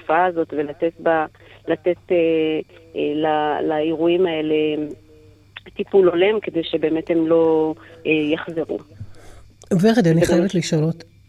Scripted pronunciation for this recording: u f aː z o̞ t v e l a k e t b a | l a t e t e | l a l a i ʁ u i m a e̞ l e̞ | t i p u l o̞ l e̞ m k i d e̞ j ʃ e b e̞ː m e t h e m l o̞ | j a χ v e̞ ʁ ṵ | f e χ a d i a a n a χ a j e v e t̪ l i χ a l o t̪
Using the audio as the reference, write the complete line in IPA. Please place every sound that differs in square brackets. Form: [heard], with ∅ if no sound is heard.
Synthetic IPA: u f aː z o̞ t v e l a [t] e t b a | l a t e t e | l a l a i ʁ u i m a e̞ l e̞ | t i p u l o̞ l e̞ m k [e] d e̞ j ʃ e b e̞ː m e t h e m l o̞ | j a χ [z] e̞ ʁ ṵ | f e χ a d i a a n [i] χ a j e v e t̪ l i [ʃ] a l o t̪